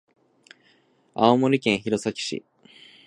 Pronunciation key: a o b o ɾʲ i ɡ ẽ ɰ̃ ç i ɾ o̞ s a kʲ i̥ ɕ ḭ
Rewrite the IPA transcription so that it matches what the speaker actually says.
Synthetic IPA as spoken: a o m o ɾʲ i k ẽ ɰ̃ ç i ɾ o̞ s a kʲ i̥ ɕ ḭ